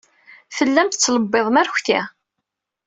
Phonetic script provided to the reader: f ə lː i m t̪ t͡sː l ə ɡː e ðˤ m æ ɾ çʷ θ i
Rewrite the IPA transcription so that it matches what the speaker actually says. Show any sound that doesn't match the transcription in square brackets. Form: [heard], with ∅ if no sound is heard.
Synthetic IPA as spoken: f ə lː [æ] m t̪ t͡sː l ə [bː] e ðˤ m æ ɾ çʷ θ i